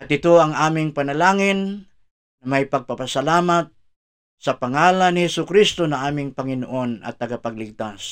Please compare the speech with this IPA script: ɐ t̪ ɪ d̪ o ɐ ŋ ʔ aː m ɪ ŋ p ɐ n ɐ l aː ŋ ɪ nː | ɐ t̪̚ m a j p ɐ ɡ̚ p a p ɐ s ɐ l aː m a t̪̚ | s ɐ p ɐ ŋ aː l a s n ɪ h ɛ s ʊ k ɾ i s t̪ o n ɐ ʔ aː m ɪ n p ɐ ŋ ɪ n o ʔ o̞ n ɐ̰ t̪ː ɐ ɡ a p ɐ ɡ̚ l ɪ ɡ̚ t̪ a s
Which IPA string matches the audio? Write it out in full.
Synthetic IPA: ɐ t̪ ɪ t̪ o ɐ ŋ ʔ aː m ɪ ŋ p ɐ n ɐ l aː ŋ ɪ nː | ɐ m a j p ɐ ɡ̚ p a p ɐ s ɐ l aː m a t̪̚ | s ɐ p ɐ ŋ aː l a n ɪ h ɛ s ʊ k ɾ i s t̪ o n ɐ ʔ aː m ɪ ŋ p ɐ ŋ ɪ n o ʔ o̞ n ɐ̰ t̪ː ɐ ɡ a p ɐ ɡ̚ l ɪ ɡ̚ t̪ a s